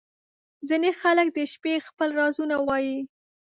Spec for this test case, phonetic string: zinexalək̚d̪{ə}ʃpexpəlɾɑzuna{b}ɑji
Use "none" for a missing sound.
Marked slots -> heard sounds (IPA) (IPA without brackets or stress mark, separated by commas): ə, w